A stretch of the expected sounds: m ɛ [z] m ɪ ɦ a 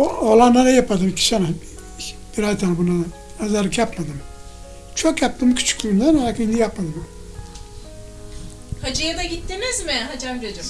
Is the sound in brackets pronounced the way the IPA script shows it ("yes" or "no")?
yes